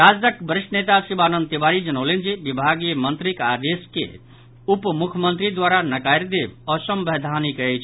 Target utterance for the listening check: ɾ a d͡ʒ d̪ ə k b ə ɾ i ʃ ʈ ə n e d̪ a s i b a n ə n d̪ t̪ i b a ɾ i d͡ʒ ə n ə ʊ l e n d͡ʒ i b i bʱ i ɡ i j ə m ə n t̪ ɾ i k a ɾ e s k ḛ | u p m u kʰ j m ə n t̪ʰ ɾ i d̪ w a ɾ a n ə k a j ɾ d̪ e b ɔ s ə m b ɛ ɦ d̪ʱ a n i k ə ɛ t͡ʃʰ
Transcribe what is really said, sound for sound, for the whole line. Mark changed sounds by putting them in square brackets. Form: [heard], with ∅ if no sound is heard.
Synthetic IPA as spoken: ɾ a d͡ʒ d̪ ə k b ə ɾ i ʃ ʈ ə n e [t̪] a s i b a n ə n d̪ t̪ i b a ɾ i d͡ʒ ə n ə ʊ l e n d͡ʒ i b i bʱ [a] ɡ i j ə m ə n t̪ ɾ i k a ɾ e s k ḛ | u p m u kʰ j m ə n [t̪] ɾ i d̪ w a ɾ a n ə k a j ɾ d̪ e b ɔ s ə m b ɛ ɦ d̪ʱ a n i k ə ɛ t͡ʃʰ

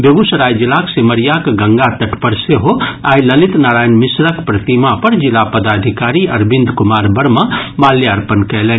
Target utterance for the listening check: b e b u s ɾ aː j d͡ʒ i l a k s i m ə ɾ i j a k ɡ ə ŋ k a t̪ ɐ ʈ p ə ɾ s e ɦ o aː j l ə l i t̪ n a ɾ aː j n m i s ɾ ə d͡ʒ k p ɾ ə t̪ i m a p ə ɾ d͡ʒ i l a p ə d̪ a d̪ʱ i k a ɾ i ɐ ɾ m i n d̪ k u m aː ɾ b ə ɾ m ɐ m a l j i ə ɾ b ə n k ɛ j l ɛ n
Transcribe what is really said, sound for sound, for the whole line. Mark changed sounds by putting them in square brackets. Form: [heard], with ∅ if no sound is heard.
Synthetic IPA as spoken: b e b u s ɾ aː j d͡ʒ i l a k s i m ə ɾ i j a k ɡ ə ŋ [ɡ] a t̪ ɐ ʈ p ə ɾ s e ɦ o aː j l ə l i t̪ n a ɾ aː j n m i s ɾ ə [∅] k p ɾ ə t̪ i m a p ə ɾ d͡ʒ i l a p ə d̪ a d̪ʱ i k a ɾ i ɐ ɾ [b] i n d̪ k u m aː ɾ b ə ɾ m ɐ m a l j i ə ɾ [p] ə n k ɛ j l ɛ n

